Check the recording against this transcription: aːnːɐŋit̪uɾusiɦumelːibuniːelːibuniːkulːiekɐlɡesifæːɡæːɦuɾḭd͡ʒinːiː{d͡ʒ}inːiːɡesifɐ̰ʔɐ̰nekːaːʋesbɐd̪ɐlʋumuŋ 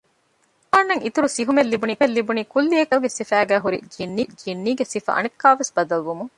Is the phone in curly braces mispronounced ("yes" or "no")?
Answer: no